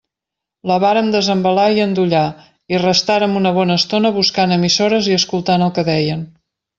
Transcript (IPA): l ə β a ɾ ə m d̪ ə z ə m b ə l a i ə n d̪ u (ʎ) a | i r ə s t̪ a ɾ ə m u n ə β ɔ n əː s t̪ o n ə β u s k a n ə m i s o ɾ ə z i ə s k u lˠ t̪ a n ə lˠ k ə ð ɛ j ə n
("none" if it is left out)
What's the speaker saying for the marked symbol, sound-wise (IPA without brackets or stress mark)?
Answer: ʎ